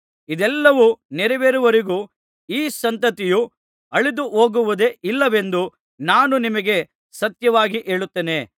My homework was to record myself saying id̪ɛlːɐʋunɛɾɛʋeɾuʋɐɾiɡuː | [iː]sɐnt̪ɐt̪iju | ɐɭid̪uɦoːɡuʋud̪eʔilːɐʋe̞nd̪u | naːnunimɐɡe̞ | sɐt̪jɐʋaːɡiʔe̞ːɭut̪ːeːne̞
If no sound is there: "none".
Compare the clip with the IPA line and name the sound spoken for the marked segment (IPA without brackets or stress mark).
iː